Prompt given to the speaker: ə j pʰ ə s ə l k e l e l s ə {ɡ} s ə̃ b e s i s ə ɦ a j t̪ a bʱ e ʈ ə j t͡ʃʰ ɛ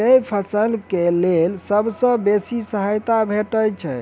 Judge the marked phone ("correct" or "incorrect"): incorrect